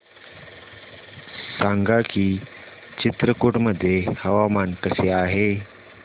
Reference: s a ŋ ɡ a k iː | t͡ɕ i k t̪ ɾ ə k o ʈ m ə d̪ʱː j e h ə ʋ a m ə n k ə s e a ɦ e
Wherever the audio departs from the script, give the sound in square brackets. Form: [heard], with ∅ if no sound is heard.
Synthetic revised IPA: s a ŋ ɡ a k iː | t͡ɕ i [∅] t̪ ɾ ə k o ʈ m ə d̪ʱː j e h ə ʋ a m [a] n k ə s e a ɦ e